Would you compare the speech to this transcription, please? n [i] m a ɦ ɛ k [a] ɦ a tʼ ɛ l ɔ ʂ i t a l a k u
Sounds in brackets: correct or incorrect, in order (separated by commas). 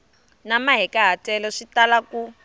incorrect, correct